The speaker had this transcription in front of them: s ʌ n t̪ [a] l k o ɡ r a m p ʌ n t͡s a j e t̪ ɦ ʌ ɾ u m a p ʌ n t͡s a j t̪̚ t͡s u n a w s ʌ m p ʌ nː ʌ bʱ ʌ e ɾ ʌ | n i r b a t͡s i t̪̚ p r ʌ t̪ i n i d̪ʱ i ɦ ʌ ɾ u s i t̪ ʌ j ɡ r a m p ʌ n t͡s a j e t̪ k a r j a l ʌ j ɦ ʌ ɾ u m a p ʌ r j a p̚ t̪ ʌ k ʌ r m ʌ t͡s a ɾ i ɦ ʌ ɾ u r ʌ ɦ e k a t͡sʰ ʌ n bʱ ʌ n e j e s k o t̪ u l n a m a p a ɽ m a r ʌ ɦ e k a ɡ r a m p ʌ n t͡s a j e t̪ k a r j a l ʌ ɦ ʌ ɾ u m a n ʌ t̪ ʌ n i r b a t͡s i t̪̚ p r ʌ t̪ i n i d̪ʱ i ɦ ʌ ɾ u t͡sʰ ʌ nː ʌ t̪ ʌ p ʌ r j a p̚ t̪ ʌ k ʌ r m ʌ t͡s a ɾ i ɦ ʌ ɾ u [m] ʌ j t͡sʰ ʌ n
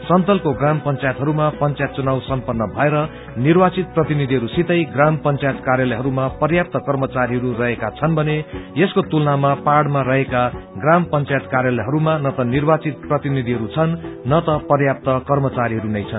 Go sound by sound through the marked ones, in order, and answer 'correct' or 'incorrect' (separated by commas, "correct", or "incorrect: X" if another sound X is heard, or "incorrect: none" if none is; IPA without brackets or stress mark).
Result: incorrect: ʌ, incorrect: n